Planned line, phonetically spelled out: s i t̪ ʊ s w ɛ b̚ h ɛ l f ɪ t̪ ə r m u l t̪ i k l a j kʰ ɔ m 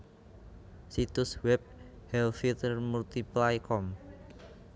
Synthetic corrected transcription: s i t̪ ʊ s w ɛ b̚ h ɛ l f i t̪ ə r m u l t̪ i p l a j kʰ ɔ m